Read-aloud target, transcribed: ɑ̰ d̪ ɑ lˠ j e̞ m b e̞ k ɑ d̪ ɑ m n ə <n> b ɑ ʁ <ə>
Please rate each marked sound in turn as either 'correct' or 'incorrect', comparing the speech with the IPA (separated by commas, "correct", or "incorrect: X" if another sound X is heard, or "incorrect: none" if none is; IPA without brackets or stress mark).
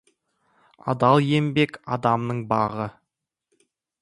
incorrect: ɴ, correct